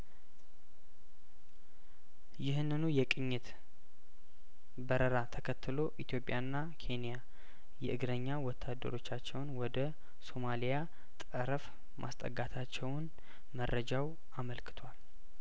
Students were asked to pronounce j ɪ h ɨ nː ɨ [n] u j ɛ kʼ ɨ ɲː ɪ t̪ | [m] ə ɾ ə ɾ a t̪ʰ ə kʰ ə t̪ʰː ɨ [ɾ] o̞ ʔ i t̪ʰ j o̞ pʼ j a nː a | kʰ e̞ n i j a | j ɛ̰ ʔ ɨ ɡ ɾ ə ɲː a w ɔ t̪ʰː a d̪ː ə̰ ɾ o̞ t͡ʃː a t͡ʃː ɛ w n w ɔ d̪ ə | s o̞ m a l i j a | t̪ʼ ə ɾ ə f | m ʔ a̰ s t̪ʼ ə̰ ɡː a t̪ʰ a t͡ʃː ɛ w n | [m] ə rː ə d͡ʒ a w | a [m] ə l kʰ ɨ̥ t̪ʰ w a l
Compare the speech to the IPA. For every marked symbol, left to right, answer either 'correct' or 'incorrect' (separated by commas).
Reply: correct, incorrect, incorrect, correct, correct